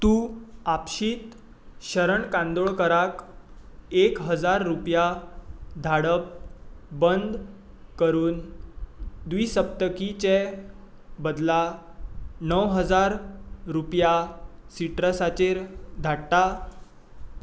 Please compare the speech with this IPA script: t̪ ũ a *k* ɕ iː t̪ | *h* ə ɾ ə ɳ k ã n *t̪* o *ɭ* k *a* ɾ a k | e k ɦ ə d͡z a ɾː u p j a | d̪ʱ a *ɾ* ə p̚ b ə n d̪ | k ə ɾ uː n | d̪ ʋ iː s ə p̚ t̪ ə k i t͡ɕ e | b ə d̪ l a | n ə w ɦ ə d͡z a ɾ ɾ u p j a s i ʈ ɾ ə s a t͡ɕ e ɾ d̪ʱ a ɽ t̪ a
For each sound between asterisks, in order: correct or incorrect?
incorrect: p, incorrect: ɕ, incorrect: d̪, correct, incorrect: ə, incorrect: ɽ

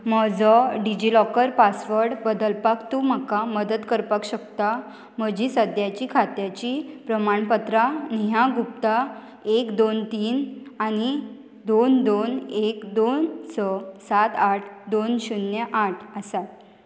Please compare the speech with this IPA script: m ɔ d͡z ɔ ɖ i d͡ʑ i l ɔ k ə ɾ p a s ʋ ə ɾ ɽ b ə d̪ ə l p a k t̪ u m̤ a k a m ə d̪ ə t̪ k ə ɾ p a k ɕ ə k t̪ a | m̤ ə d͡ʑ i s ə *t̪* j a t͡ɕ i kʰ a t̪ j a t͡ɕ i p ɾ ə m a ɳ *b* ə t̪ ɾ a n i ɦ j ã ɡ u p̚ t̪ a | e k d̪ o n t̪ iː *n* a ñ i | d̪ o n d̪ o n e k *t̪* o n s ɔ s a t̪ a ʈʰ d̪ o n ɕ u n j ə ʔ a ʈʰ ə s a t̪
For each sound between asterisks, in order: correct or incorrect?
incorrect: d̪, incorrect: p, correct, incorrect: d̪

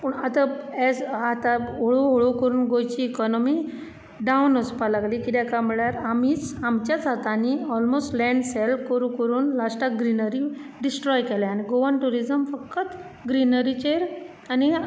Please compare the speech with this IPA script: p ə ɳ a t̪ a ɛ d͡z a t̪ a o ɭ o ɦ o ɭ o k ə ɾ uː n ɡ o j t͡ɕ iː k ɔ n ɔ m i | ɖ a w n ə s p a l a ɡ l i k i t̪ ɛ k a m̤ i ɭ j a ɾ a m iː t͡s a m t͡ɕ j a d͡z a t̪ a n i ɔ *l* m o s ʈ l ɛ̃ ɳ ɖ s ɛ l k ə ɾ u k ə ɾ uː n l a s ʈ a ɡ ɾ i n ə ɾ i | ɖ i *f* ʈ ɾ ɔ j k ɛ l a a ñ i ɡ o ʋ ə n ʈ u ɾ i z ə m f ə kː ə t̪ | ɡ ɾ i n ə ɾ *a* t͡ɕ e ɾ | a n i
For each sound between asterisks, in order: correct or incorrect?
correct, incorrect: s, incorrect: i

